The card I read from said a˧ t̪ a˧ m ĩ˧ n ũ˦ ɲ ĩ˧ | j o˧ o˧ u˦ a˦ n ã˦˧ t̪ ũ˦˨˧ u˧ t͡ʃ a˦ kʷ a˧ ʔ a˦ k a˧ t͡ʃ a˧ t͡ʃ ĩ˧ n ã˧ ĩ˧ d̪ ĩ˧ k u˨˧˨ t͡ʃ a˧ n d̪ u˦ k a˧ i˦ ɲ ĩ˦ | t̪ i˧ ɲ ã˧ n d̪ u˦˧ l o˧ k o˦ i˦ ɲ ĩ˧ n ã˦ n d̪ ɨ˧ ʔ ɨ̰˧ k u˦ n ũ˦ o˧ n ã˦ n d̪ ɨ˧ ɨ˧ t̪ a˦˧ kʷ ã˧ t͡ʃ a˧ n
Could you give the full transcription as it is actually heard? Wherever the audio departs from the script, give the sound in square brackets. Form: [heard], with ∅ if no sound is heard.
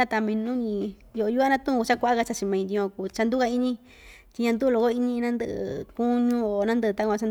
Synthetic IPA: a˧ t̪ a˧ m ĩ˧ n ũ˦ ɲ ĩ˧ | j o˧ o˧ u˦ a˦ n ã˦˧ t̪ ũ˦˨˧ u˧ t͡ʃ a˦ kʷ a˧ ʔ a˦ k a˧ t͡ʃ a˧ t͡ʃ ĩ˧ [m] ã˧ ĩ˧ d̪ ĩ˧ k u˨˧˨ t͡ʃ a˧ n d̪ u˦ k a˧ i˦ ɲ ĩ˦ | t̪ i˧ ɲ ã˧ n d̪ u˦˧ l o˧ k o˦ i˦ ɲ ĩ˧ n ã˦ n d̪ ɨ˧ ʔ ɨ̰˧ k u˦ [ɲ] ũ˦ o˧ n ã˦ n d̪ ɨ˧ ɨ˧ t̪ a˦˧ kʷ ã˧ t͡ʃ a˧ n